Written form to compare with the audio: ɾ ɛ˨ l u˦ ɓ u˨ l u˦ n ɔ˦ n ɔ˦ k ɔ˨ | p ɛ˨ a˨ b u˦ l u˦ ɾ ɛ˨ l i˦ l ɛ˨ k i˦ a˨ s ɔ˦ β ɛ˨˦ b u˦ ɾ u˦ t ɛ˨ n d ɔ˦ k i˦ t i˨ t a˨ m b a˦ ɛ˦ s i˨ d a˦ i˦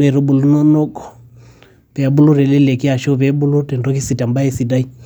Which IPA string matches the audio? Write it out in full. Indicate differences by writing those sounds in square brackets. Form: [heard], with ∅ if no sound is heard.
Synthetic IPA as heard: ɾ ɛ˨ [ɾ] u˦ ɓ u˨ l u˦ n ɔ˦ n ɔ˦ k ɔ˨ | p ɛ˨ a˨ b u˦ l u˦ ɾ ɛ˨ l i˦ l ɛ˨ k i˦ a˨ [ʃ] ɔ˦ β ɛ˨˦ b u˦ [l] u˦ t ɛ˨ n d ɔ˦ k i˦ [s] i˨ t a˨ m b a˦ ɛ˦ s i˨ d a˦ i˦